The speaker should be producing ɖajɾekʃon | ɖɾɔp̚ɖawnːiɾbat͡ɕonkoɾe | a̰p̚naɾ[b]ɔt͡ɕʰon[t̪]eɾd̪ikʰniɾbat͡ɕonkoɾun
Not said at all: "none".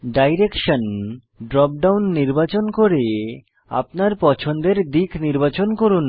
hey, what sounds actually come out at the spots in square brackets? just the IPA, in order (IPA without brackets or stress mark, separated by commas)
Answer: p, d̪